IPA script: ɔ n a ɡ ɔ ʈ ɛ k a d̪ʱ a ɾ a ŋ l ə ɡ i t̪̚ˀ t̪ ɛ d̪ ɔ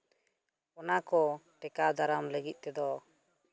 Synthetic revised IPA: ɔ n a k ɔ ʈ ɛ k a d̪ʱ a ɾ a m l ə ɡ i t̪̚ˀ t̪ ɛ d̪ ɔ